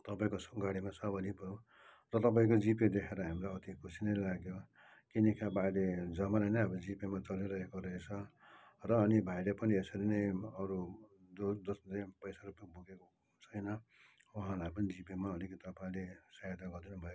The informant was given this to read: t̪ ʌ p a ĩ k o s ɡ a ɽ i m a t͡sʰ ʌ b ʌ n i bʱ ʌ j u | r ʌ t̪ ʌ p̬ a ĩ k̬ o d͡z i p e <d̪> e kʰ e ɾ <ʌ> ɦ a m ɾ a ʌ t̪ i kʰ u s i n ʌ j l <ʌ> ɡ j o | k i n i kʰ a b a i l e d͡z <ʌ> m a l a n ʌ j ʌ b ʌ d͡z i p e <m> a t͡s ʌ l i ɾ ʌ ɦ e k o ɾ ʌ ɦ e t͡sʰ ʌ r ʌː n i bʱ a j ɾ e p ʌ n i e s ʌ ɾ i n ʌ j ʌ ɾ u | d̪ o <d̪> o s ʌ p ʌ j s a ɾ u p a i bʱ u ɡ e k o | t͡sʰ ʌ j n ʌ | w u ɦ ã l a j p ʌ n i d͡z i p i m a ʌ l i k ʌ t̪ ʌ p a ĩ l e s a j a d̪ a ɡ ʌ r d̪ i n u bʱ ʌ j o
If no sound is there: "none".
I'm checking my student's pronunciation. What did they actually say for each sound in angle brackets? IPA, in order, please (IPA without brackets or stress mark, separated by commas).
d̪, ʌ, a, ʌ, m, d̪